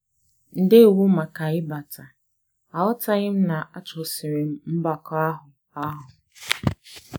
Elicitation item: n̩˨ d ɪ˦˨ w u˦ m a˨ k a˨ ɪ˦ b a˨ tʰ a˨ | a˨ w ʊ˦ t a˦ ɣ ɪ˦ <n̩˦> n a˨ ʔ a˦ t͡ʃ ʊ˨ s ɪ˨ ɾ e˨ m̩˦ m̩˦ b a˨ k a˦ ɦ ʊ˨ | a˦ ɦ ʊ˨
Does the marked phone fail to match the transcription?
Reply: yes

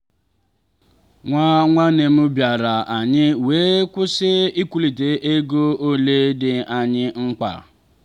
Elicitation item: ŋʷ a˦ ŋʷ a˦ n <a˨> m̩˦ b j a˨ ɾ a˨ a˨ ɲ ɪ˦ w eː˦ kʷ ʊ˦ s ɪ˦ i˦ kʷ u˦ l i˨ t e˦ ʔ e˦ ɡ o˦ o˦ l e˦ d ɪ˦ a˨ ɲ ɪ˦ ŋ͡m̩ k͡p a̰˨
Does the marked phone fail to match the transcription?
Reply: yes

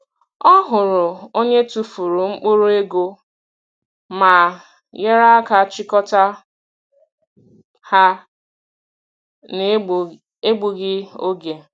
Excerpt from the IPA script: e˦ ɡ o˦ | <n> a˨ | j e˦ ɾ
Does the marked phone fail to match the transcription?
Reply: yes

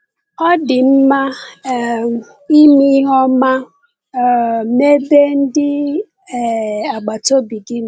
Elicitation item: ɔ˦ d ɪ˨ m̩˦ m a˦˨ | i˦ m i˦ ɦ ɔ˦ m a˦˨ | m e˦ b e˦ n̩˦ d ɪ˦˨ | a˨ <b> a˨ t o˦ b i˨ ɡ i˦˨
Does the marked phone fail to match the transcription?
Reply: yes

